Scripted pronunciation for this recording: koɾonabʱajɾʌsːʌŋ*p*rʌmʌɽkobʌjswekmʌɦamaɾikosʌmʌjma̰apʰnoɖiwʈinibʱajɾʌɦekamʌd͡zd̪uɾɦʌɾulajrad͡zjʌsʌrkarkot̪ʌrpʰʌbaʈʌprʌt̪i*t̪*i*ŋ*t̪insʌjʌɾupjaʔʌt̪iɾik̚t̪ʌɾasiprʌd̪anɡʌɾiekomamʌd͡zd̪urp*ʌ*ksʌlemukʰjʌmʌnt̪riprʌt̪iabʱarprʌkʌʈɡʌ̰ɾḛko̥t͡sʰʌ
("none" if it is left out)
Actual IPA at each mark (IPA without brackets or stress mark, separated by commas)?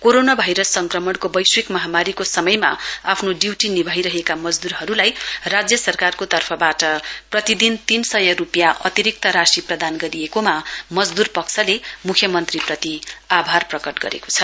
k, d̪, n, ʌ